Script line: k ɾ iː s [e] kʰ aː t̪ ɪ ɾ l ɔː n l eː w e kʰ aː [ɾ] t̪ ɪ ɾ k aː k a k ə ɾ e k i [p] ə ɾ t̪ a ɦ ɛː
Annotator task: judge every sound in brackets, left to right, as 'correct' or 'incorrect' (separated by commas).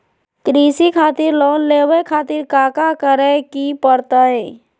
incorrect, incorrect, correct